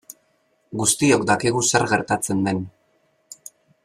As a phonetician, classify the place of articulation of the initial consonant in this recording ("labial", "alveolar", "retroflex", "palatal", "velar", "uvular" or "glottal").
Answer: velar